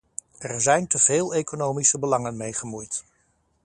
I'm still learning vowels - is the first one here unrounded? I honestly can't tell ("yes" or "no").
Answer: yes